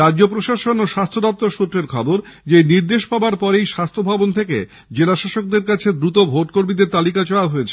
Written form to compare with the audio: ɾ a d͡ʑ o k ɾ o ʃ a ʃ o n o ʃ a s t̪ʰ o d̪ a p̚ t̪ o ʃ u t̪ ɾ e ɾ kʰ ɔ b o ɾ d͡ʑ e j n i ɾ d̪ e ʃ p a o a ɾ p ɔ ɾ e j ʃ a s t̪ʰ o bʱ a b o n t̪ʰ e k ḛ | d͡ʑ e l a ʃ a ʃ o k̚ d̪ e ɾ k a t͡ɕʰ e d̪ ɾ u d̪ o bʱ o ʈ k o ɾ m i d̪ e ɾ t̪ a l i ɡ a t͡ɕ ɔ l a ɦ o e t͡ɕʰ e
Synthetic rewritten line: ɾ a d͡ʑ o p ɾ o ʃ a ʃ o n o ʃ a s t̪ʰ o d̪ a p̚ t̪ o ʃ u t̪ ɾ e ɾ kʰ ɔ b o ɾ d͡ʑ e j n i ɾ d̪ e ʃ p a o a ɾ p ɔ ɾ e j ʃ a s t̪ʰ o bʱ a b o n t̪ʰ e k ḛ | d͡ʑ e l a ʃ a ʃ o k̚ d̪ e ɾ k a t͡ɕʰ e d̪ ɾ u t̪ o bʱ o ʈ k o ɾ m i d̪ e ɾ t̪ a l i k a t͡ɕ ɔ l a ɦ o e t͡ɕʰ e